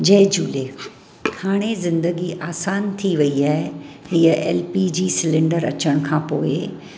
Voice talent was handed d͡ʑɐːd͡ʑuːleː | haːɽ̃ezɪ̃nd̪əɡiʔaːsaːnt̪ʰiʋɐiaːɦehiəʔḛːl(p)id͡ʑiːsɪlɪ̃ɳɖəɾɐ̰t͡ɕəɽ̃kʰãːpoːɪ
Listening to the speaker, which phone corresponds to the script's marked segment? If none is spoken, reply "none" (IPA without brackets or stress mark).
p